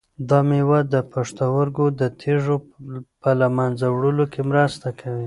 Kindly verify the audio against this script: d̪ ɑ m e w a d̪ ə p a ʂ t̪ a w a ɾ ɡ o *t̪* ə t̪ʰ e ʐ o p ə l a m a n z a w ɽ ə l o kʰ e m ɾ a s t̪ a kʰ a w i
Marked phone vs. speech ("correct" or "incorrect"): incorrect